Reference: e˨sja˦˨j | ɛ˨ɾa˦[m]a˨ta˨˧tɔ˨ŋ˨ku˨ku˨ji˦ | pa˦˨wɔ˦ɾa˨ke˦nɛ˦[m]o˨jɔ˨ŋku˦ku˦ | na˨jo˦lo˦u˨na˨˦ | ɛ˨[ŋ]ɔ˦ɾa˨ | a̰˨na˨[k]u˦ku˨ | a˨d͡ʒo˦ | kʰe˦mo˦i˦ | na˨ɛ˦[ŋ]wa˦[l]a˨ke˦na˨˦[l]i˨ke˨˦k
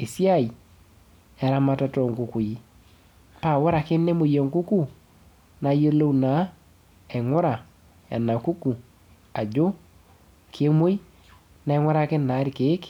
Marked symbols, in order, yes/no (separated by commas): yes, yes, yes, yes, yes, no, no